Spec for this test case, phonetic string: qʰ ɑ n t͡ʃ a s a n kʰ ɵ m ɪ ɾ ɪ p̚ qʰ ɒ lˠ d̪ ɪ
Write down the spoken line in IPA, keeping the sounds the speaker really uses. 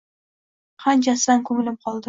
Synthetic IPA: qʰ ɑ n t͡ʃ a s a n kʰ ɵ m ɪ l ɪ p̚ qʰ ɒ lˠ d̪ ɪ